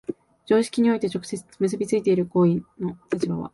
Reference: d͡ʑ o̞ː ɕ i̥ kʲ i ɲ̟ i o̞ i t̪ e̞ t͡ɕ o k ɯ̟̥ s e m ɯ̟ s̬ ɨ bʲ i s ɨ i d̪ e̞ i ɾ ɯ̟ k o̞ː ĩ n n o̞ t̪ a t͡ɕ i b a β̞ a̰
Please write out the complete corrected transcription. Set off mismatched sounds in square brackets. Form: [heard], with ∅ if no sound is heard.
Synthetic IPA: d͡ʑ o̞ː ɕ i̥ kʲ i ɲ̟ i o̞ i t̪ e̞ t͡ɕ o k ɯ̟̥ s e m ɯ̟ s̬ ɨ bʲ i [t͡s] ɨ i [t̪] e̞ i ɾ ɯ̟ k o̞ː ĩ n n o̞ t̪ a t͡ɕ i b a β̞ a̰